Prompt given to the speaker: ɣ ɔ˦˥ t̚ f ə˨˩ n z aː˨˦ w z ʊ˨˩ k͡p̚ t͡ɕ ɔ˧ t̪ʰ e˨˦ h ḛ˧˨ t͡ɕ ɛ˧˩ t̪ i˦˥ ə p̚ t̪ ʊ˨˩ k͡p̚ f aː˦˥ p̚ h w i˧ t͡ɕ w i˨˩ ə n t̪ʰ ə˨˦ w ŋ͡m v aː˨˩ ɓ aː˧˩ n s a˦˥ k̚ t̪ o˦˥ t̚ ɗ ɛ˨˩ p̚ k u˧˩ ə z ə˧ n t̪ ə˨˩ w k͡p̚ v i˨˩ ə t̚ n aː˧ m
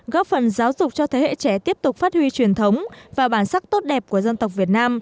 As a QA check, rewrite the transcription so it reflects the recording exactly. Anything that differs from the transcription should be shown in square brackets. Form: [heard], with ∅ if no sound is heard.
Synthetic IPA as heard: ɣ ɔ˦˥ [p̚] f ə˨˩ n z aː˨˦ w z ʊ˨˩ k͡p̚ t͡ɕ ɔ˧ t̪ʰ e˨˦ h ḛ˧˨ t͡ɕ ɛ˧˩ t̪ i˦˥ ə p̚ t̪ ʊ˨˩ k͡p̚ f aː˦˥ [t̚] h w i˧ t͡ɕ w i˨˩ ə n t̪ʰ ə˨˦ w ŋ͡m v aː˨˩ ɓ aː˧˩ n s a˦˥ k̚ t̪ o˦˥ t̚ ɗ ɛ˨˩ p̚ k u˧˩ ə z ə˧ n t̪ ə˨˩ w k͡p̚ v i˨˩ ə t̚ n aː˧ m